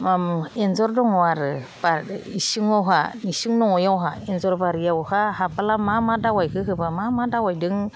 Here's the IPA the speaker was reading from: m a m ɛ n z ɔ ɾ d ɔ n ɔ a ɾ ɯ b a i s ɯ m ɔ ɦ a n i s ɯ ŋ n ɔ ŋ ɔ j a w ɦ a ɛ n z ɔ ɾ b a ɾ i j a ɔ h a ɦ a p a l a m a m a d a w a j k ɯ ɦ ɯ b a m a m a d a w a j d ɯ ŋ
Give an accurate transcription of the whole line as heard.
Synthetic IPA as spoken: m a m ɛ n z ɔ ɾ d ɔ ŋ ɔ a ɾ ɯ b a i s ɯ ŋ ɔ ɦ a n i s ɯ ŋ n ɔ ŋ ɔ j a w ɦ a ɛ n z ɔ ɾ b a ɾ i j a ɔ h a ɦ a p a l a m a m a d a w a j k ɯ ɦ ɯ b a m a m a d a w a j d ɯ ŋ